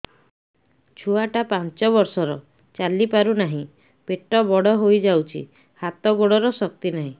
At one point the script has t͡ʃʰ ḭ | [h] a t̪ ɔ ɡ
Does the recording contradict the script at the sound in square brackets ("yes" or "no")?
no